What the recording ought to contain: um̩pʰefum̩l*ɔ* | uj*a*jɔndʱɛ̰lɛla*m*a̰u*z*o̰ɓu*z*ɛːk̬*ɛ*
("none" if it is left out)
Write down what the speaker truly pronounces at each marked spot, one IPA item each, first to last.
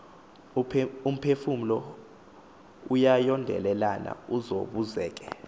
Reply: ɔ, a, n, z, z, ɛ

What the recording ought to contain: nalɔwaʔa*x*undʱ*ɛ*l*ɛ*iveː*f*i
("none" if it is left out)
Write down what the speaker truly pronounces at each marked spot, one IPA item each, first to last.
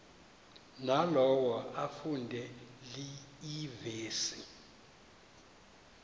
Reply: f, ɛ, i, s

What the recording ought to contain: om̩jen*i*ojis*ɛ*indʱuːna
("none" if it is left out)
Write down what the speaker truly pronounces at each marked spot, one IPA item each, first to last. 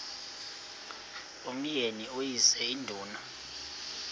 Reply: i, ɛ

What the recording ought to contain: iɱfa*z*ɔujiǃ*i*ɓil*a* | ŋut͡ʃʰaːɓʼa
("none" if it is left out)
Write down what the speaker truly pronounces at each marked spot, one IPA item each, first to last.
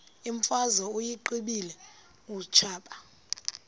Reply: z, i, ɛ

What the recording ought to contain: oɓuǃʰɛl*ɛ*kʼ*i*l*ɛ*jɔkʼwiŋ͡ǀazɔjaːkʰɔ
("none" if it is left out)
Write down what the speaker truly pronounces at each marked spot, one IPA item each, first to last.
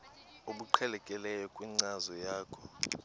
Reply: ɛ, ɛ, ɛ

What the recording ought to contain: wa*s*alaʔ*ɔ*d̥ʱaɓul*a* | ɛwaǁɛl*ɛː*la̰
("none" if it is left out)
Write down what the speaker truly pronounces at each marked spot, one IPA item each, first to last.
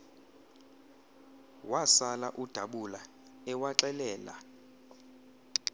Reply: s, u, a, ɛː

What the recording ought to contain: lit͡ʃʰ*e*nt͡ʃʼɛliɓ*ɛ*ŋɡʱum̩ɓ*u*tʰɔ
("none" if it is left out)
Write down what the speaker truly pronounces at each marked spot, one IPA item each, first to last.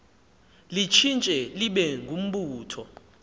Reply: i, ɛ, uː

